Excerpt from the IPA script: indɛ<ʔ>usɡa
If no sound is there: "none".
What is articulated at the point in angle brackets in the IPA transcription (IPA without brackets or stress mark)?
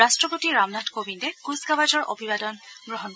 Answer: k